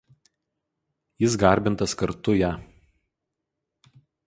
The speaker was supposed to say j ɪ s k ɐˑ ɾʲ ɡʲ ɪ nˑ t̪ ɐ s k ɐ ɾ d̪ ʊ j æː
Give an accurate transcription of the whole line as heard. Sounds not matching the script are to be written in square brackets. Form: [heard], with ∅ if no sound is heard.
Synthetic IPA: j ɪ s [ɡ] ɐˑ ɾʲ [bʲ] ɪ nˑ t̪ ɐ s k ɐ ɾ [t̪] ʊ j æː